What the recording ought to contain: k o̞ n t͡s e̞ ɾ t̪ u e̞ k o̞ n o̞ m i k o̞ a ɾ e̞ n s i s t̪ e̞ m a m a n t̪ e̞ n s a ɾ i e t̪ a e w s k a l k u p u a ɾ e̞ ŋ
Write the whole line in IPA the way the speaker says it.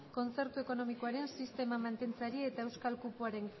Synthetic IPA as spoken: k o̞ n t͡s e̞ ɾ t̪ u e̞ k o̞ n o̞ m i k o̞ a ɾ e̞ n s i s t̪ e̞ m a m a n t̪ e̞ n t͡s a ɾ i e t̪ a e w s k a l k u p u a ɾ e̞ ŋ

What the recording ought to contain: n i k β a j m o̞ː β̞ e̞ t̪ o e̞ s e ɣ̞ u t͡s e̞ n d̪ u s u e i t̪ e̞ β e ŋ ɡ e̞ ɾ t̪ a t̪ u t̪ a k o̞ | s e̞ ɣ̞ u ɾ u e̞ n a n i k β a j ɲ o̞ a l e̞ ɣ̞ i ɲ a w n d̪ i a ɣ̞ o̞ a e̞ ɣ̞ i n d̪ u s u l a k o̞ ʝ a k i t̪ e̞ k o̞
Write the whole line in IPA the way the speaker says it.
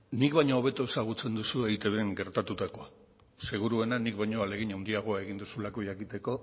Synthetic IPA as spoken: n i k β a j ɲ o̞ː β̞ e̞ t̪ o e̞ s a ɣ̞ u t͡s e̞ n d̪ u s u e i t̪ e̞ β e ŋ ɡ e̞ ɾ t̪ a t̪ u t̪ a k o̞ | s e̞ ɣ̞ u ɾ u e̞ n a n i k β a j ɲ o̞ a l e̞ ɣ̞ i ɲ a w n d̪ i a ɣ̞ o̞ a e̞ ɣ̞ i n d̪ u s u l a k o̞ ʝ a k i t̪ e̞ k o̞

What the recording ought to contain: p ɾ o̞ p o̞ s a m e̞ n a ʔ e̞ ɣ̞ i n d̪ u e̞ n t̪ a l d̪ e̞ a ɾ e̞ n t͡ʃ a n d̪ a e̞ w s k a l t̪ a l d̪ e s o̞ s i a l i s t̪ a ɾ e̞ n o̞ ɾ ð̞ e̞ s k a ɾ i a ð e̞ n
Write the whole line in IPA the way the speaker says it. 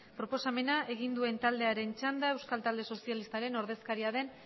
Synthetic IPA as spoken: p ɾ o̞ p o̞ s a m e̞ n a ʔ e̞ ɣ̞ i n d̪ u e̞ n t̪ a l d̪ e̞ a ɾ e̞ n t͡ʃ a n d̪ a e̞ w s k a l t̪ a l d̪ e s o̞ s i a l i s t̪ a ɾ e̞ n o̞ ɾ ð̞ e̞ s k a ɾ i a ð e̞ n

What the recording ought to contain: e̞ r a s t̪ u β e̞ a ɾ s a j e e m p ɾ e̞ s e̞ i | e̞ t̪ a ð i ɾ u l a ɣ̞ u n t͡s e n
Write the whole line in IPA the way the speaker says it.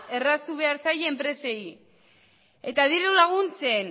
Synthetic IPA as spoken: e̞ r a s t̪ u β e̞ a ɾ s a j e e m p ɾ e̞ s e̞ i | e̞ t̪ a ð i ɾ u l a ɣ̞ u n t͡s e n

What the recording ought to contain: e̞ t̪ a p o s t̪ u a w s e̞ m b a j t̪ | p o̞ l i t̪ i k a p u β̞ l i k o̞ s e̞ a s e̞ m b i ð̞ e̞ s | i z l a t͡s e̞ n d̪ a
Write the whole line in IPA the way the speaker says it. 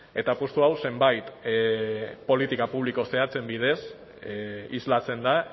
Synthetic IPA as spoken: e̞ t̪ a p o s t̪ u a w s e̞ m b a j t̪ | p o̞ l i t̪ i k a p u β̞ l i k o̞ s e̞ a t͡s e̞ m b i ð̞ e̞ s | i z l a t͡s e̞ n d̪ a

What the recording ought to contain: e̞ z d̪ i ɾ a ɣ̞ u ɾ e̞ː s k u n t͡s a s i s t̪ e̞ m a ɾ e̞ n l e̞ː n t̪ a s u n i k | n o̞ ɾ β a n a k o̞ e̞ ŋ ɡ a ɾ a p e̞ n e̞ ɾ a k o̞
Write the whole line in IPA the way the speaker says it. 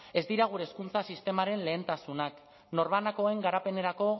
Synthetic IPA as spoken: e̞ z d̪ i ɾ a ɣ̞ u ɾ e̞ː s k u n t͡s a s i s t̪ e̞ m a ɾ e̞ n l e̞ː n t̪ a s u n a k | n o̞ ɾ β a n a k o̞ e̞ ŋ ɡ a ɾ a p e̞ n e̞ ɾ a k o̞

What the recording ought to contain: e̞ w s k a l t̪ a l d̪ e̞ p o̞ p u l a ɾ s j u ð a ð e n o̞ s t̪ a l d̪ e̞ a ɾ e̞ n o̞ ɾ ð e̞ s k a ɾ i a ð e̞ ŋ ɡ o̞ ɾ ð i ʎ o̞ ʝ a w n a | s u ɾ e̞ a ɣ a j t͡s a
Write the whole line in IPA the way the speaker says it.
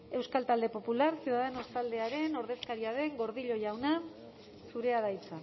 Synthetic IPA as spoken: e̞ w s k a l t̪ a l d̪ e̞ p o̞ p u l a ɾ s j u ð a ð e n o̞ s t̪ a l d̪ e̞ a ɾ e̞ n o̞ ɾ ð e̞ s k a ɾ i a ð e̞ ŋ ɡ o̞ ɾ ð i ʎ o̞ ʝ a w n a | s u ɾ e̞ a ð a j t͡s a

